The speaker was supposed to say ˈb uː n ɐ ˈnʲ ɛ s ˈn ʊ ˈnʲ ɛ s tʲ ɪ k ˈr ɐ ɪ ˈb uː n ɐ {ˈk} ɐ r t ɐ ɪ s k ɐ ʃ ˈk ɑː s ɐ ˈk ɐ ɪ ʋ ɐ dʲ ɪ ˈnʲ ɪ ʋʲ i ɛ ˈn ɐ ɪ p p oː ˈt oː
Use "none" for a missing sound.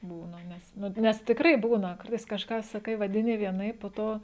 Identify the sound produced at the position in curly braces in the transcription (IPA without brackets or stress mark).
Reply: k